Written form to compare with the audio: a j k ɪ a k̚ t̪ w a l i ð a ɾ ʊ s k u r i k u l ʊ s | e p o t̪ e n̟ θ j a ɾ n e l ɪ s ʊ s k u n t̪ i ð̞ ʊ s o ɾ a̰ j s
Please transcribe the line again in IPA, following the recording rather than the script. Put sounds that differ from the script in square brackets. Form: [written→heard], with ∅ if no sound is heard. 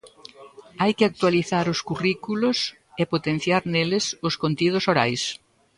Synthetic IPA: a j k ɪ a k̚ t̪ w a l i [ð→θ] a ɾ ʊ s k u r i k u l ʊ s | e p o t̪ e n̟ θ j a ɾ n e l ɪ s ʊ s k [u→o] n t̪ i ð̞ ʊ s o ɾ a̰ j s